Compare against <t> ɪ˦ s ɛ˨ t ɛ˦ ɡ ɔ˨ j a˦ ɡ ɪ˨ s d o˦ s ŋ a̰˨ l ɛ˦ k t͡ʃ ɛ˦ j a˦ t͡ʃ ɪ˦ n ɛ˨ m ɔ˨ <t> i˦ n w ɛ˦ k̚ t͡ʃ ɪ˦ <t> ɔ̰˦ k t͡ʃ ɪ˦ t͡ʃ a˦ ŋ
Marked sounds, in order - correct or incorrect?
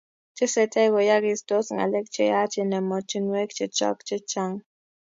incorrect, incorrect, incorrect

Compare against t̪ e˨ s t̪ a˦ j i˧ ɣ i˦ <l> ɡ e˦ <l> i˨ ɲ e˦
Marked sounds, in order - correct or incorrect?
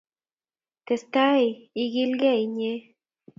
correct, incorrect

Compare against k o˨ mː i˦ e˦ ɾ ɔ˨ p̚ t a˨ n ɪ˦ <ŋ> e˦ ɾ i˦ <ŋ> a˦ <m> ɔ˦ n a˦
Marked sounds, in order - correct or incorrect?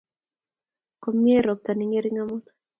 correct, correct, correct

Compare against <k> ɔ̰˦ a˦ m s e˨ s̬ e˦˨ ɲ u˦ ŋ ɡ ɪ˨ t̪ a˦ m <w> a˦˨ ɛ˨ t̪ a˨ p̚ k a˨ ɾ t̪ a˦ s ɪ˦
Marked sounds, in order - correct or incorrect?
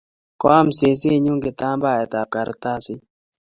correct, incorrect

